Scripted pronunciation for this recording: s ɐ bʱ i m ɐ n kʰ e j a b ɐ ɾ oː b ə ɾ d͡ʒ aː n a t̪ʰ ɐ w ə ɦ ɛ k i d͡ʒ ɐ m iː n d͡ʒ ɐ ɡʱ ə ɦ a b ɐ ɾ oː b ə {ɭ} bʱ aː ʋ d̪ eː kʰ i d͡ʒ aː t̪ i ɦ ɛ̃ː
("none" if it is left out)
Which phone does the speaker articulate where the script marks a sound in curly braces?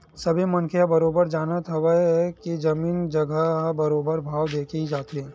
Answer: ɾ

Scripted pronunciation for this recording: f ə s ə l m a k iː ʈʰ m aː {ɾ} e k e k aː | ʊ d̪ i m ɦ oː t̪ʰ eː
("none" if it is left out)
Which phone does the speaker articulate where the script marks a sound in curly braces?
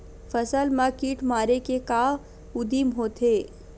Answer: ɾ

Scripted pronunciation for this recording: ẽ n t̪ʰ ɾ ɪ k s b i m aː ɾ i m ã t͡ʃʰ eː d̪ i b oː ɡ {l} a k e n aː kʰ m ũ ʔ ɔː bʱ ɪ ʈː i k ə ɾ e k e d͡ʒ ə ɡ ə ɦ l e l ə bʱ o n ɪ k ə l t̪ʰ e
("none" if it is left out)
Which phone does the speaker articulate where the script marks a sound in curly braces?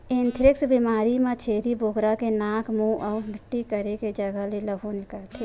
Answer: ɾ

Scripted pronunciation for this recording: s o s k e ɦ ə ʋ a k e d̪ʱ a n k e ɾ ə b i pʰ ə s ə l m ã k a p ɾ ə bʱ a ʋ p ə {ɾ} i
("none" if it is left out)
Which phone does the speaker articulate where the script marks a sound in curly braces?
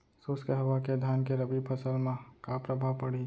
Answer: ɽ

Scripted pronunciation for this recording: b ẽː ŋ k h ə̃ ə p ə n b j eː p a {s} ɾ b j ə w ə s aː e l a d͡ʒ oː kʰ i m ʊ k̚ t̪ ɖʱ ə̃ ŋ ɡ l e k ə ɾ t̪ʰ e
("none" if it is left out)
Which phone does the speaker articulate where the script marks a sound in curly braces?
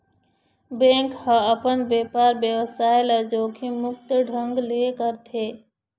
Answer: none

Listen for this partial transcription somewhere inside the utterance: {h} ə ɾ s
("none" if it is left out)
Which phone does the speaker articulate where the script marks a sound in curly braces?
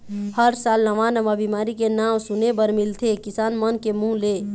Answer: h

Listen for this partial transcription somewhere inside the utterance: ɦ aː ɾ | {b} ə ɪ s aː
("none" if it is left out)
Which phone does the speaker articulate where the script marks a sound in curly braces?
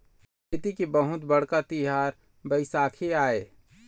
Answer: b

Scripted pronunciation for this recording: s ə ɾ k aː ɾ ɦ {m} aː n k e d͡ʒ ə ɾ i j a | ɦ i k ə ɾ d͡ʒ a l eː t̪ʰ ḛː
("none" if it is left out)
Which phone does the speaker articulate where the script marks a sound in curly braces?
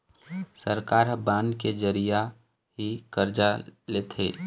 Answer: b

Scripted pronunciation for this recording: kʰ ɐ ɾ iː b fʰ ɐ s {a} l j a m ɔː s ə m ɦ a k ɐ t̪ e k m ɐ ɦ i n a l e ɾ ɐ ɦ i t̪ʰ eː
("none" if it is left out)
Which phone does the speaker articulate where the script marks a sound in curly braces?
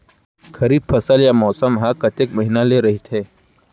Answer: ə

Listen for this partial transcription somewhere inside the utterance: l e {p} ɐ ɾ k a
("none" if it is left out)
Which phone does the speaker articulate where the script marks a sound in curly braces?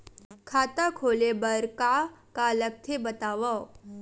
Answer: b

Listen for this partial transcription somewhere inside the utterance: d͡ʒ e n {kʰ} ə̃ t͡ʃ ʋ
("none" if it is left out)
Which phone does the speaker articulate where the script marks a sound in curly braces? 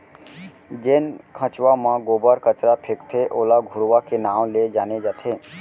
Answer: kʰ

